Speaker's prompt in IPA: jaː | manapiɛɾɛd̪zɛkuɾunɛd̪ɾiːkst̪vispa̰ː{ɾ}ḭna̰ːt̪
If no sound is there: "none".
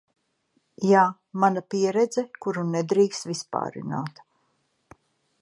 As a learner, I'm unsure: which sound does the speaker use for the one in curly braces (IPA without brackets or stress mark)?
ɾ